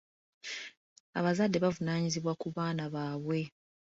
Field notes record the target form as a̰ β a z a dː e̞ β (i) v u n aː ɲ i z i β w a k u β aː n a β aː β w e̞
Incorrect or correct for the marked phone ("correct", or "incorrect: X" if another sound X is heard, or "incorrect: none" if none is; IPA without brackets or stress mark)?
incorrect: a